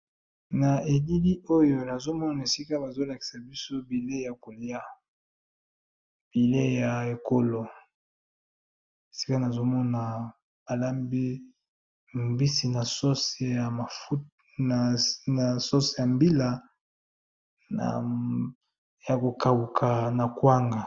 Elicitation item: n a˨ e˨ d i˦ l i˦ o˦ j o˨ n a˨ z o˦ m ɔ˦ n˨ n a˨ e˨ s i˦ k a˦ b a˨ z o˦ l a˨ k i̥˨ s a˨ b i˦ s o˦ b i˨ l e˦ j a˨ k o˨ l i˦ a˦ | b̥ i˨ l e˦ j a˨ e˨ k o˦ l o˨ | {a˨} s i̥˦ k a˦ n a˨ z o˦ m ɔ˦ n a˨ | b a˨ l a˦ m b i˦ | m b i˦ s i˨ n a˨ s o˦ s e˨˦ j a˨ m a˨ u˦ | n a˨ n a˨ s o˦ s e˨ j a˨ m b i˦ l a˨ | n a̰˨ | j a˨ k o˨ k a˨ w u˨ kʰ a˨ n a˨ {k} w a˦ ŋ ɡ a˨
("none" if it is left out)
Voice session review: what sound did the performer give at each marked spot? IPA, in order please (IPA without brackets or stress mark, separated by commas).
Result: e˨, k